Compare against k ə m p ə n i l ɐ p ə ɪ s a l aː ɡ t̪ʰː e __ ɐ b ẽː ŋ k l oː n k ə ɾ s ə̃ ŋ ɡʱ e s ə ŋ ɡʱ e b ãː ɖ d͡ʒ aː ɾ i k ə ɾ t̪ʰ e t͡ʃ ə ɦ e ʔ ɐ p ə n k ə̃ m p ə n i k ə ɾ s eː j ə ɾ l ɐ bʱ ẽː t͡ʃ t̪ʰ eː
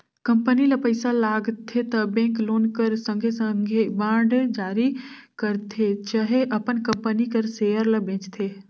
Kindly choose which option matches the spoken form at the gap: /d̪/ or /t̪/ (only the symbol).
t̪